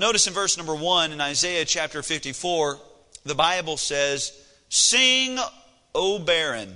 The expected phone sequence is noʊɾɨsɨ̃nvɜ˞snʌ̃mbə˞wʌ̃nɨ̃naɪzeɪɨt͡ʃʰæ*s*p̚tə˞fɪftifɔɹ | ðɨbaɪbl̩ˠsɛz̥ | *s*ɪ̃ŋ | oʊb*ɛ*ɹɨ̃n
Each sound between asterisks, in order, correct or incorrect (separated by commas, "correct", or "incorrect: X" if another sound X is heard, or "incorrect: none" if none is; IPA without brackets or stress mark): incorrect: none, correct, correct